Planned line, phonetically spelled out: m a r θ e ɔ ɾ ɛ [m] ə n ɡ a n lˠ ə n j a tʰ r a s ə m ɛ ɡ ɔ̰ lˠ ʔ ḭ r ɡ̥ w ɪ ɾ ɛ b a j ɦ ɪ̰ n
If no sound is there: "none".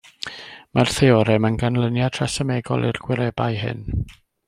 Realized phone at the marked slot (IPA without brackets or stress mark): m